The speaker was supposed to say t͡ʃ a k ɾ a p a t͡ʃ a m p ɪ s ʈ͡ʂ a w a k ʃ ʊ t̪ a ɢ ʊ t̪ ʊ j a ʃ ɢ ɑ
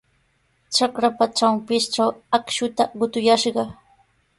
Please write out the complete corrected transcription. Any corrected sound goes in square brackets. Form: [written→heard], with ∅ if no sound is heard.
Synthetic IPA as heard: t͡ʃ a k ɾ a p a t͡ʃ a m p ɪ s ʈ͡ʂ a w a k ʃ ʊ t̪ a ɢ ʊ t̪ ʊ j a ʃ ɢ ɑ